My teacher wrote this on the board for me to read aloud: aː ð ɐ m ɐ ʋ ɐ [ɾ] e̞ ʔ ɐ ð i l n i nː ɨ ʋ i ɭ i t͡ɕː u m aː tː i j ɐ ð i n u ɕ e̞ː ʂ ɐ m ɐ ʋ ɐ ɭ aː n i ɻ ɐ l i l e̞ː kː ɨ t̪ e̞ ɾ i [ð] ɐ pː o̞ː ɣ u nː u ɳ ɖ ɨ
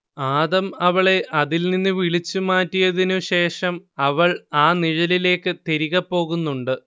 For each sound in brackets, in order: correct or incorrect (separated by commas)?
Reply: incorrect, incorrect